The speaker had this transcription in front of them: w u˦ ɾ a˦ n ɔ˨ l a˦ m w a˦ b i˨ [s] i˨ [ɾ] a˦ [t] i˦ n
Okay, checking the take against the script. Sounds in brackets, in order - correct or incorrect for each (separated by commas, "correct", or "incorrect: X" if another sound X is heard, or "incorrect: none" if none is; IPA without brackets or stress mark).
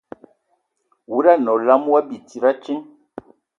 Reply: incorrect: t, correct, incorrect: t͡ʃ